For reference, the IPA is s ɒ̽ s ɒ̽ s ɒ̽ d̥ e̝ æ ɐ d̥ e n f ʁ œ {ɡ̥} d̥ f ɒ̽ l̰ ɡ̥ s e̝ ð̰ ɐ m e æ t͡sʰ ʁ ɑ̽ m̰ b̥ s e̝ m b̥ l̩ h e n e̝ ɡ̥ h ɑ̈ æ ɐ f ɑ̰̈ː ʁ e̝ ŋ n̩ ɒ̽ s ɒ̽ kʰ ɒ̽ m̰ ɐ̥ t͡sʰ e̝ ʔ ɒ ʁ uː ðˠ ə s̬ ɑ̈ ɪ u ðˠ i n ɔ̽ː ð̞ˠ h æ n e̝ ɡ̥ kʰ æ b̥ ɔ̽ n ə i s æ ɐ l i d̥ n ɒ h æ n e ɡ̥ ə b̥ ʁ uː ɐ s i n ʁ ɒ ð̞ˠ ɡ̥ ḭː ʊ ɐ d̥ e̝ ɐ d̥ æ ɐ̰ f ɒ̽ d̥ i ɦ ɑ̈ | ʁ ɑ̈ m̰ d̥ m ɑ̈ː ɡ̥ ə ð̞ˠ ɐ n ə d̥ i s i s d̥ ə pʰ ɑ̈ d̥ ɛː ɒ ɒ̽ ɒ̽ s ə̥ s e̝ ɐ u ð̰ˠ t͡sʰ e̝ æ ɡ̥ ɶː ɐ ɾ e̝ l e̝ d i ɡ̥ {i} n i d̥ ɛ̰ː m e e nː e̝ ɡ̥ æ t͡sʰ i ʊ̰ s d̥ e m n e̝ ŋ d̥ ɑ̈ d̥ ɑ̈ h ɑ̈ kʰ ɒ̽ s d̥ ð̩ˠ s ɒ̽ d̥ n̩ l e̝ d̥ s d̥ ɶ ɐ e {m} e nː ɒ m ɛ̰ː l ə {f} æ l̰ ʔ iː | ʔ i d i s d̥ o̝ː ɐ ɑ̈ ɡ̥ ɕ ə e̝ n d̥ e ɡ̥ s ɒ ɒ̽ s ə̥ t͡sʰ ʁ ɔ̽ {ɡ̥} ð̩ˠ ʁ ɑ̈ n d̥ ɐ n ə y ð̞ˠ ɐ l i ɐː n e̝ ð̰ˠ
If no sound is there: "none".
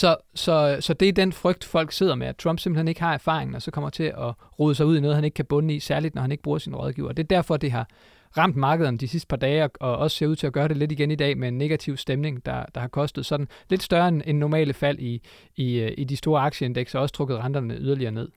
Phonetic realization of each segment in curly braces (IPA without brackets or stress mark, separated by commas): ɡ̥, e, n, f, ɡ̥